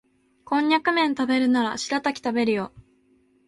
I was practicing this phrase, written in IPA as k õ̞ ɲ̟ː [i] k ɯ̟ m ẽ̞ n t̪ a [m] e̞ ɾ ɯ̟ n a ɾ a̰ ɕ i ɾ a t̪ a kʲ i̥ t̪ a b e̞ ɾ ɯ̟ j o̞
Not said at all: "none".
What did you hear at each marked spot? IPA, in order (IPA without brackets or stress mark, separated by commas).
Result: a, b